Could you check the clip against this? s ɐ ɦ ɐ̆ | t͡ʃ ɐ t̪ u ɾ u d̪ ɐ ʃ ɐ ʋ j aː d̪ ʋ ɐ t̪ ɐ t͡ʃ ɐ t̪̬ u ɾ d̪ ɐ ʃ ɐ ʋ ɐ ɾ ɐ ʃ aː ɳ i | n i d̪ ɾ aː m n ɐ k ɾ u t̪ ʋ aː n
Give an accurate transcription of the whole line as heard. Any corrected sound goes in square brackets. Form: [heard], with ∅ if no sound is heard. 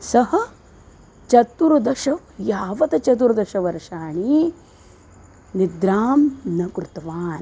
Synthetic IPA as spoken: s ɐ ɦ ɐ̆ | t͡ʃ ɐ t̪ u ɾ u d̪ ɐ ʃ ɐ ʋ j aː [∅] ʋ ɐ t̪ ɐ t͡ʃ ɐ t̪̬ u ɾ d̪ ɐ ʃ ɐ ʋ ɐ ɾ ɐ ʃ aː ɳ i | n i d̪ ɾ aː m n ɐ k ɾ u t̪ ʋ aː n